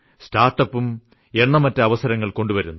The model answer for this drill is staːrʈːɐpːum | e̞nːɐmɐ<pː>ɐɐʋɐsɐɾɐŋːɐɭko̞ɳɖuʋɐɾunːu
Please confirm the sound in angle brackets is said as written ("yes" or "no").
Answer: no